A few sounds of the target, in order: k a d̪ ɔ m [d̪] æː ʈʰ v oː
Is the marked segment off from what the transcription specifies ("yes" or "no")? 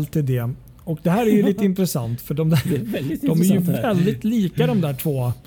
no